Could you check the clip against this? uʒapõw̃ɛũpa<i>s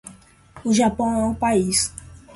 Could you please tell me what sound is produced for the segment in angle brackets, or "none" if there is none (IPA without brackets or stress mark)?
i